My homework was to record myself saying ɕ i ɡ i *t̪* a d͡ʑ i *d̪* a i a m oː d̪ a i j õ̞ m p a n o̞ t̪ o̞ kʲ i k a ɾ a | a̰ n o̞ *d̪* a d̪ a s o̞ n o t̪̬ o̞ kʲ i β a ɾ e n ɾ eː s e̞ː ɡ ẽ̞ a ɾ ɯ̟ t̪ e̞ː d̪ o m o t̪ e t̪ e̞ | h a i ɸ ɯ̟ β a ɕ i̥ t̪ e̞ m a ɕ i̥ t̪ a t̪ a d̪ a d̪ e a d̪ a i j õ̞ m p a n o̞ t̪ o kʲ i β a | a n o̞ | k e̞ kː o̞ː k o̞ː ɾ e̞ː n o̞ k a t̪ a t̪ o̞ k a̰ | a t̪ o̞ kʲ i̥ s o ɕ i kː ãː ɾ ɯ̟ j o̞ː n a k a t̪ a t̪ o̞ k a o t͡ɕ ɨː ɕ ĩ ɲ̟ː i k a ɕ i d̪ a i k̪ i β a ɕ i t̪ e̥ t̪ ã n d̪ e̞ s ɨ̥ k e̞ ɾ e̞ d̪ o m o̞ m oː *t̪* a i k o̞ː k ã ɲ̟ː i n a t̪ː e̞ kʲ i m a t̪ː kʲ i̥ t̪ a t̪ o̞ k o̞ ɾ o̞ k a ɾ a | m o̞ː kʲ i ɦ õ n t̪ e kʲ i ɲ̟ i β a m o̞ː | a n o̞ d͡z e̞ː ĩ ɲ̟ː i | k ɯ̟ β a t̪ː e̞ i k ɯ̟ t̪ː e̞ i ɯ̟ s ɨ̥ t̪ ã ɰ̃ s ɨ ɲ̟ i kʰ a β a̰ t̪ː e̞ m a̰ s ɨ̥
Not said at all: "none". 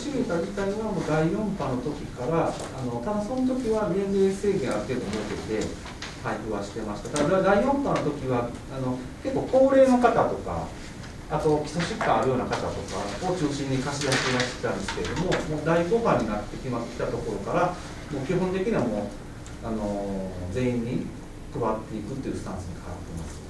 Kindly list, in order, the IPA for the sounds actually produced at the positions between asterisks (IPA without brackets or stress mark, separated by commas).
t̪, t̪, t̪, d̪